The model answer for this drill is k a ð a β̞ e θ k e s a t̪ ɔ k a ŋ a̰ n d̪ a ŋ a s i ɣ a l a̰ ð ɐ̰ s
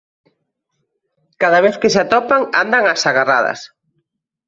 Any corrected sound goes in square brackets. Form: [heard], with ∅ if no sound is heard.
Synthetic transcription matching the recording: k a ð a β̞ e θ k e s a t̪ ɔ [p] a ŋ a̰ n d̪ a ŋ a s [a] ɣ a [r] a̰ ð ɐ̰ s